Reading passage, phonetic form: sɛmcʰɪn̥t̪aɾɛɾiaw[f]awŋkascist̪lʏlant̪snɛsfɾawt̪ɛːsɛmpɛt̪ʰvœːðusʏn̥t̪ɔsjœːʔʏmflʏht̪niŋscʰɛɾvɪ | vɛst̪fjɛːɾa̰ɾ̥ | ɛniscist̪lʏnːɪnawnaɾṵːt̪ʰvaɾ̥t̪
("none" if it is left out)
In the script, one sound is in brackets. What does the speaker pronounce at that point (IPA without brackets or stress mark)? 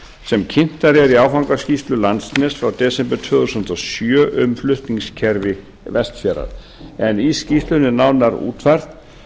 f